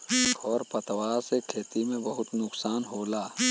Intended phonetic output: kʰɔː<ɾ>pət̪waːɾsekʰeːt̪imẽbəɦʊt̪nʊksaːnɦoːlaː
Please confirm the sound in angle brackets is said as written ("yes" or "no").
yes